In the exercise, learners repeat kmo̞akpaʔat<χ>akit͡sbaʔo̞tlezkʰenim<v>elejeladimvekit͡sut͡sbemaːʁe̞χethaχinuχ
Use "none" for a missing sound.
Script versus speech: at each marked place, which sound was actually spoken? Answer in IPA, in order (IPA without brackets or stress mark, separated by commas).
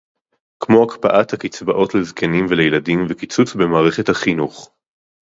h, v